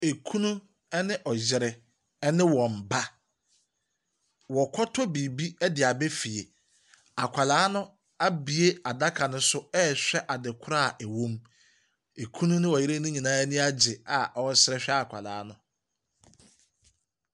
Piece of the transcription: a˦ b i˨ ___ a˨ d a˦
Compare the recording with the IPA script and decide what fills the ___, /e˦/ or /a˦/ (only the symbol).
e˦